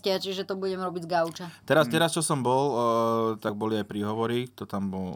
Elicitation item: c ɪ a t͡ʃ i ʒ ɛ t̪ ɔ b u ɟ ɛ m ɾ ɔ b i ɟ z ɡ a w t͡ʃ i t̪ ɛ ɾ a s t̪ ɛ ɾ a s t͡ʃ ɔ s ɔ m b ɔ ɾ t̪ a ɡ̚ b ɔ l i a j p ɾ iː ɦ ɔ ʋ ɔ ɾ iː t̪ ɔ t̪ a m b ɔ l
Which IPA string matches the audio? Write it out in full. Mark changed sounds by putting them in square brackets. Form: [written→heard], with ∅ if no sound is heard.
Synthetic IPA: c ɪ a t͡ʃ i ʒ ɛ t̪ ɔ b u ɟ ɛ m ɾ ɔ b i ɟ z ɡ a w t͡ʃ [i→a] t̪ ɛ ɾ a s t̪ ɛ ɾ a s t͡ʃ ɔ s ɔ m b ɔ [ɾ→l] t̪ a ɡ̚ b ɔ l i a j p ɾ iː ɦ ɔ ʋ ɔ ɾ [iː→i] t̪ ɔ t̪ a m b ɔ l